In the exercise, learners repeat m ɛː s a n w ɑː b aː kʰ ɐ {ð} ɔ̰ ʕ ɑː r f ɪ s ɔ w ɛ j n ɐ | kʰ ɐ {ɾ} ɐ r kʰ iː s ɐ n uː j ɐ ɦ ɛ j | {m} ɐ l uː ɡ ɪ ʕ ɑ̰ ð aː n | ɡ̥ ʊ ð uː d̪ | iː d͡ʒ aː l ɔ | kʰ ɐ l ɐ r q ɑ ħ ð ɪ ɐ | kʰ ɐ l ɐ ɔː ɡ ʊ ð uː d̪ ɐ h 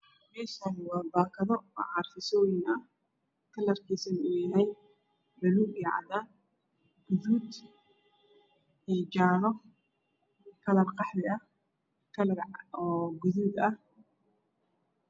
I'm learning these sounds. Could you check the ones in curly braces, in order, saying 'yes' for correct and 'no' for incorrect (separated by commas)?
yes, no, no